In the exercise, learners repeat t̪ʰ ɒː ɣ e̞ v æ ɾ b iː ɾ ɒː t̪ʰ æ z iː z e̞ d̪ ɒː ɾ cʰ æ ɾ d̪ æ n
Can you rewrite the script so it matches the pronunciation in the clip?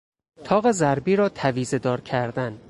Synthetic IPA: t̪ʰ ɒː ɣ e̞ z æ ɾ b iː ɾ ɒː t̪ʰ æ v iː z e̞ d̪ ɒː ɾ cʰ æ ɾ d̪ æ n